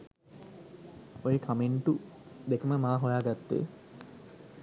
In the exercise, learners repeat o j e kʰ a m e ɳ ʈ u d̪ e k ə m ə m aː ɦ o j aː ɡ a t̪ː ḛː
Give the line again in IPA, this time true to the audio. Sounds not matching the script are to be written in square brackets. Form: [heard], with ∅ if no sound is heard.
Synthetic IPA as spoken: o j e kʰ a m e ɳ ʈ u d̪ e k ə m ə m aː ɦ o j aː ɡ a t̪ː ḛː